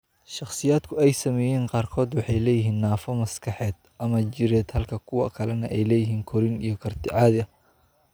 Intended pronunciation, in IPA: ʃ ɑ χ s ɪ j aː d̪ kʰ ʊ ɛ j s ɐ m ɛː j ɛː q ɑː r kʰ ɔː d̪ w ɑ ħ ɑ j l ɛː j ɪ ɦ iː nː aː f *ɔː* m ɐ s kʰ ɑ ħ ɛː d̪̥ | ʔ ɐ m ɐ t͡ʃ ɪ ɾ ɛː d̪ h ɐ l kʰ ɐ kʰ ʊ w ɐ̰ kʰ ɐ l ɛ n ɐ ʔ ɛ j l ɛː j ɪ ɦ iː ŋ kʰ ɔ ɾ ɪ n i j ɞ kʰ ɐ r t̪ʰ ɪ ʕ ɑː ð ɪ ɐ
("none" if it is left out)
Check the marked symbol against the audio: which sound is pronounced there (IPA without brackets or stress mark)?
ɔ